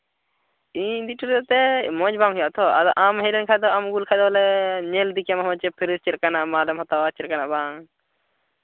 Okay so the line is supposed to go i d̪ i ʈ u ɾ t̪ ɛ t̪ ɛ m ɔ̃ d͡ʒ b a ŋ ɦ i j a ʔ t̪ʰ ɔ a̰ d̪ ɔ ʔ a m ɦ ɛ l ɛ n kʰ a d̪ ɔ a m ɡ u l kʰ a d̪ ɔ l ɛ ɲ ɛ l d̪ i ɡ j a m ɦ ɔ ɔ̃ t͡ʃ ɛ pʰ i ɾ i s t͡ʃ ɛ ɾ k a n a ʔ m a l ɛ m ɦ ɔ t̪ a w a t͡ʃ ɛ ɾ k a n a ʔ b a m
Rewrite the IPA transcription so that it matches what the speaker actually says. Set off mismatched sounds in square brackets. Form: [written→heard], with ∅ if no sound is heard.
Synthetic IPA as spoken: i d̪ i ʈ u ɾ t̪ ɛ t̪ ɛ m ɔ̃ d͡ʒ b a ŋ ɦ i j a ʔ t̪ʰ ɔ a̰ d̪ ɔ ʔ a m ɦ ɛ l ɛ n kʰ a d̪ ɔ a m ɡ u l kʰ a d̪ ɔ l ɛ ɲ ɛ l d̪ i [ɡ→k] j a m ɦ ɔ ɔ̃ t͡ʃ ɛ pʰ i ɾ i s t͡ʃ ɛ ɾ k a n a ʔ m a l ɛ m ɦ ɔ t̪ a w a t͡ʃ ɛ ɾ k a n a ʔ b a [m→ŋ]